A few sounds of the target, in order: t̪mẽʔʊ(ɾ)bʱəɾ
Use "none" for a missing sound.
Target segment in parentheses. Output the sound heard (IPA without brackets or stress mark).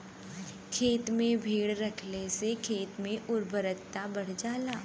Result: ɾ